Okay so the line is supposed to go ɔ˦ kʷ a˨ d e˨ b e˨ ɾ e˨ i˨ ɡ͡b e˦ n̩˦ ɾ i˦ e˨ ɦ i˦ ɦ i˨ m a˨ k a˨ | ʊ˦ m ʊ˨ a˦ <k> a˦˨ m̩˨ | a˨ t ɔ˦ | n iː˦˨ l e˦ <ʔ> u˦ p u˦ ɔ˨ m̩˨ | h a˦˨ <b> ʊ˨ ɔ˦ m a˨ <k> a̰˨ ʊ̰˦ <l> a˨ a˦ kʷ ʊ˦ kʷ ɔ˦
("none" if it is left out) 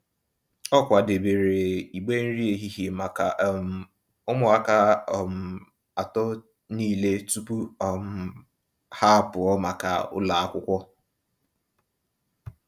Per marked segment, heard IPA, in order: k, t, p, k, l

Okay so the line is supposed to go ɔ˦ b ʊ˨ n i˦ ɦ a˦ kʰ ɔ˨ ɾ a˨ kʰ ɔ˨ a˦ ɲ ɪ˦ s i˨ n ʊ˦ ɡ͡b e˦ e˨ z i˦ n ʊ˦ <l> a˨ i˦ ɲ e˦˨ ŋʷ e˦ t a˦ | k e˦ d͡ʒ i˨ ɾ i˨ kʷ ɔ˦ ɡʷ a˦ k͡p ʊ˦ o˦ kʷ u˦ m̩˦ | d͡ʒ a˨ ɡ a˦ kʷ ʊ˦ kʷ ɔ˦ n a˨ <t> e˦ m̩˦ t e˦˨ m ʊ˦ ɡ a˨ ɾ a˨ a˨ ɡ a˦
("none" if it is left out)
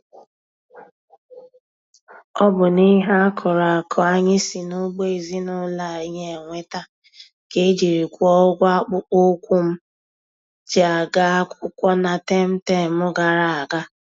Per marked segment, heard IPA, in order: l, t

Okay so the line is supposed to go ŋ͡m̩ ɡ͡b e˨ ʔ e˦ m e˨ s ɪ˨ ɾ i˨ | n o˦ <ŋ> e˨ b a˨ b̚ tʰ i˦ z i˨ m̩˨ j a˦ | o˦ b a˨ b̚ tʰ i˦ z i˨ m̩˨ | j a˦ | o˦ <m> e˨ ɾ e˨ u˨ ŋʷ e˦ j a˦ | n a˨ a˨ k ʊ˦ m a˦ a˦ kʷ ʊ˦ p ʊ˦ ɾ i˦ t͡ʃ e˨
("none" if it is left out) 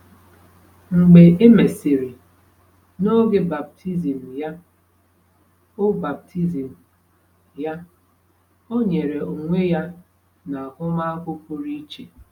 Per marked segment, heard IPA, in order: ɡ, ɲ

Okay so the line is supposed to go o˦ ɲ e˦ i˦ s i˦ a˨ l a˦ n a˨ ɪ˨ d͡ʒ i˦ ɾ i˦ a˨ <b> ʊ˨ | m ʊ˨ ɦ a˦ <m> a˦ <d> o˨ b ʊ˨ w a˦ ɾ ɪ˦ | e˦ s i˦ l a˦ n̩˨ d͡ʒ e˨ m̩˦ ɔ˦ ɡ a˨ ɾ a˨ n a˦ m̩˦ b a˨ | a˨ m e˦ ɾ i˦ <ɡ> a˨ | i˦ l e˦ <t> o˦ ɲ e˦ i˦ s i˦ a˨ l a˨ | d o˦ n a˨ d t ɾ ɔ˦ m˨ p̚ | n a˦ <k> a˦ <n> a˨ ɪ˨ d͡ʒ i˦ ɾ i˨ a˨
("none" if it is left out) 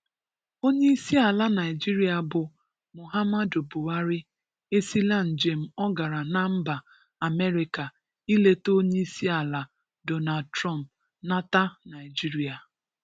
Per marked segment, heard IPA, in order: b, m, d, k, t, t, n

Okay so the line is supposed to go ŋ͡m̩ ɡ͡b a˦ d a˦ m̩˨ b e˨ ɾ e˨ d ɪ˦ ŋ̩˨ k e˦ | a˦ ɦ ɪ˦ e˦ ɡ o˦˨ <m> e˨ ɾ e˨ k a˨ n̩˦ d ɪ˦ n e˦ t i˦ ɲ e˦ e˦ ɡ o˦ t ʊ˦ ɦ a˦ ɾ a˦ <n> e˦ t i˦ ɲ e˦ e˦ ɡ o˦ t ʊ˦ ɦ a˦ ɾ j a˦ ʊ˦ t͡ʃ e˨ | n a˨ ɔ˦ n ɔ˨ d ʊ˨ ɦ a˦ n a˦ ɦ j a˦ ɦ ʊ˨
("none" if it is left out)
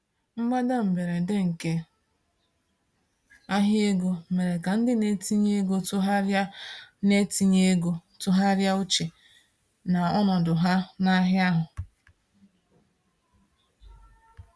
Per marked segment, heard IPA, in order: m, n

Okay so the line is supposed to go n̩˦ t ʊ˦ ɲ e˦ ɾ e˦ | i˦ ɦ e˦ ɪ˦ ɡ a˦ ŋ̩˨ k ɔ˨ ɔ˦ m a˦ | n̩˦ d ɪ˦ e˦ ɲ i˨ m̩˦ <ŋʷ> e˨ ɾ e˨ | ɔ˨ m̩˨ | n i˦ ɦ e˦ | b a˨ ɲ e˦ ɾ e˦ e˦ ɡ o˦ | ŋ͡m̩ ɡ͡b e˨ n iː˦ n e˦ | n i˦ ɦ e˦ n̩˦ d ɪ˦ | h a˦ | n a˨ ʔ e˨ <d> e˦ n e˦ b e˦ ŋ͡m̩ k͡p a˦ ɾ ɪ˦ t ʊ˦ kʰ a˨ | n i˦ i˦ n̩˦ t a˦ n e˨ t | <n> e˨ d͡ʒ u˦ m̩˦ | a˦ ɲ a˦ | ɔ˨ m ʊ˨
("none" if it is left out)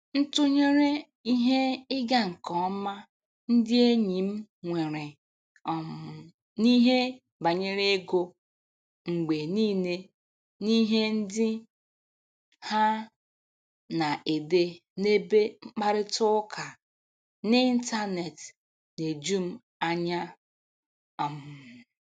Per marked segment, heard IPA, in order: ŋʷ, d, n

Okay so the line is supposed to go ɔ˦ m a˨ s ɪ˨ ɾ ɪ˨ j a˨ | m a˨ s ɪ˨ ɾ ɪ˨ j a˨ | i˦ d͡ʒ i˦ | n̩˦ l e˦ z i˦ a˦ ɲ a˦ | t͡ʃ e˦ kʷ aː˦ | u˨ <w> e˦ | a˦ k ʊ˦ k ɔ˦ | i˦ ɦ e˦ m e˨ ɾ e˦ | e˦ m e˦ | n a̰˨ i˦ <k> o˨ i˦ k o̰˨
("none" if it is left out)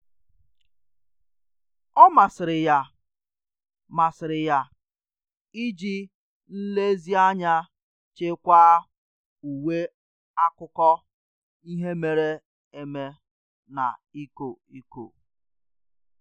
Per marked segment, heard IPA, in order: w, k

